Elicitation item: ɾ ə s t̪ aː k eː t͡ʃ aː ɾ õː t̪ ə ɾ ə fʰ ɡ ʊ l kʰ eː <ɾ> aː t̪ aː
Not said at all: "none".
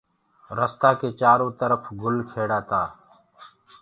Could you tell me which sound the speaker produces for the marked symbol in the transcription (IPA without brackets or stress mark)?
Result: ɽ